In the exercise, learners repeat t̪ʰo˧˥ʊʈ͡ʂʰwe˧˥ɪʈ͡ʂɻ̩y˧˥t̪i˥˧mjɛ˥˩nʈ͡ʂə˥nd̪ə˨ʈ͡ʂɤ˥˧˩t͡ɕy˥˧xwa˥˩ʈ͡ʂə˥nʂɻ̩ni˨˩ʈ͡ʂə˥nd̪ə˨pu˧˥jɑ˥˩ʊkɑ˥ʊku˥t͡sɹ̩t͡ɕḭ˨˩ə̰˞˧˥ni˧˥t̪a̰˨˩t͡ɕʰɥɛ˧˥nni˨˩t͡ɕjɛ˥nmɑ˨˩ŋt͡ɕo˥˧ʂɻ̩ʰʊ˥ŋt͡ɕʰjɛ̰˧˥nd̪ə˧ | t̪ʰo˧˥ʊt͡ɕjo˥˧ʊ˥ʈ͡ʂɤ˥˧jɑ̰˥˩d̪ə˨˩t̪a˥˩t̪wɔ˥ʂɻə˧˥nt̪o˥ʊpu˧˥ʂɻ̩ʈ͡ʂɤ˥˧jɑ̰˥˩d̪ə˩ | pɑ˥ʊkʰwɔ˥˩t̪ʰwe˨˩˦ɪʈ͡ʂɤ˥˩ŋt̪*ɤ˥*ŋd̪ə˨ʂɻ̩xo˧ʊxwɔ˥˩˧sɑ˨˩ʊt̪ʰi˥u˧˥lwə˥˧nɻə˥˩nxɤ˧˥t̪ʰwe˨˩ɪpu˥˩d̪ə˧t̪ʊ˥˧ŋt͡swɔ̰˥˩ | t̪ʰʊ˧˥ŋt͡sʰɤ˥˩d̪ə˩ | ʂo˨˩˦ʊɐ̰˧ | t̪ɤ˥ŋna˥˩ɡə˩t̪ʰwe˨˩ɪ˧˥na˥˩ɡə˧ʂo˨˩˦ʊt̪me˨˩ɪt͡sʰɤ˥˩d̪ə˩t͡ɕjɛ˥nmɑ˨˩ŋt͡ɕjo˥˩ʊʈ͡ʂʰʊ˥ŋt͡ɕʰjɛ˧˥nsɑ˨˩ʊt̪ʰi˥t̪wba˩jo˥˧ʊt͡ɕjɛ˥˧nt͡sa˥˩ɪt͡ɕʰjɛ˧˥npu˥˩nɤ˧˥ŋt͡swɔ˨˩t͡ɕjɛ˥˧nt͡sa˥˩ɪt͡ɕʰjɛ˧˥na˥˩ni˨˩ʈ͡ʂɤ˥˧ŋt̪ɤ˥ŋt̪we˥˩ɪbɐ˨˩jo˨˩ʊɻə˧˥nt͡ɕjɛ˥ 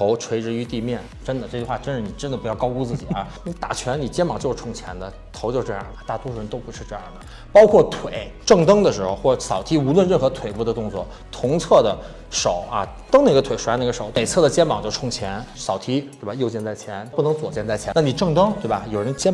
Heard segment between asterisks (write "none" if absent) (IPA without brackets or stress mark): ɤ˥